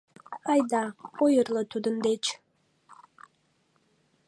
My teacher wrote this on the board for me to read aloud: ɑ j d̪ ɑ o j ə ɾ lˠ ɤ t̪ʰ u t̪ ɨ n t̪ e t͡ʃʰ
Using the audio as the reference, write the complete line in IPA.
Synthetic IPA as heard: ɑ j d̪ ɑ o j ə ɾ lˠ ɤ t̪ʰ u d̪ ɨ n d̪ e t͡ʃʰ